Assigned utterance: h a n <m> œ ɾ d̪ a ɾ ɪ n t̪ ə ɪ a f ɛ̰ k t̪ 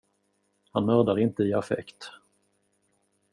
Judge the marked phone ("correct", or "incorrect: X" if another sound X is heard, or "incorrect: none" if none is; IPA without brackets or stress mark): correct